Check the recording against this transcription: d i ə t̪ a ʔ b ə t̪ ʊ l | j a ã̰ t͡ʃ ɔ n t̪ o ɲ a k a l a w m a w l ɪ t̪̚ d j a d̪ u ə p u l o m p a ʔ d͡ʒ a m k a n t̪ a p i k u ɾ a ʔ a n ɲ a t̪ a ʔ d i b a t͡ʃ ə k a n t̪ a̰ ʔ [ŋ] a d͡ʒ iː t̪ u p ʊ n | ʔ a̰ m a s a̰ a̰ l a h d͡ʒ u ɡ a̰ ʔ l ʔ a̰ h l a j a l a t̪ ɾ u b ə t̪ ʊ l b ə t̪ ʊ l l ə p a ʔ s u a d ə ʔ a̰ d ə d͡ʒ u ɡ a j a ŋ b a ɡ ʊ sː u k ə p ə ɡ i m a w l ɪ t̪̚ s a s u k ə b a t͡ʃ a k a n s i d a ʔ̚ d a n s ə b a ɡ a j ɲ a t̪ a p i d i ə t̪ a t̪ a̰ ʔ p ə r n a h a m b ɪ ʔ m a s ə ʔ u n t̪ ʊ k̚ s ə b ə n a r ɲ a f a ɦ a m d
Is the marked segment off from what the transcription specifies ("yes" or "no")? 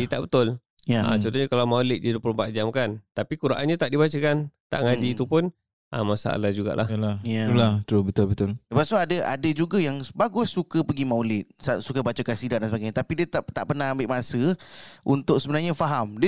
no